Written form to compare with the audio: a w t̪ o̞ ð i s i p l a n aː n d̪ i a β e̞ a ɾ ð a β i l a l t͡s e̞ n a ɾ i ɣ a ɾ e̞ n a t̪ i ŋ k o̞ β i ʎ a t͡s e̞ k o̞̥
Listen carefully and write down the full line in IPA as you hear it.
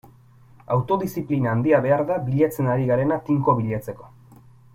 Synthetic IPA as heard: a w t̪ o̞ ð i s i p l i n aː n d̪ i a β e̞ a ɾ ð a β i ʎ a t͡s e̞ n a ɾ i ɣ a ɾ e̞ n a t̪ i ŋ k o̞ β i ʎ a t͡s e̞ k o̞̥